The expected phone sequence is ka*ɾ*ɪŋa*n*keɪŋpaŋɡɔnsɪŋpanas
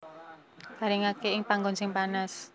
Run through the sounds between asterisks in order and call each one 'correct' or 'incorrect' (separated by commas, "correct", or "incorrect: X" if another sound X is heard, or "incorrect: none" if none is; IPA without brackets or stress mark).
correct, incorrect: none